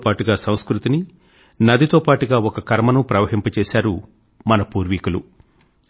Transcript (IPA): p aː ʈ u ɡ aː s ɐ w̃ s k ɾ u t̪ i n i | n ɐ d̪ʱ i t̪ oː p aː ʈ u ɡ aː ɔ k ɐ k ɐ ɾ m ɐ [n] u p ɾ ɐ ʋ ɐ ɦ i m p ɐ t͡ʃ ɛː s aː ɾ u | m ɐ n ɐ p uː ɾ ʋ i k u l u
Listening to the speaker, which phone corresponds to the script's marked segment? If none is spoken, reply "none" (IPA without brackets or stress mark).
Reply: n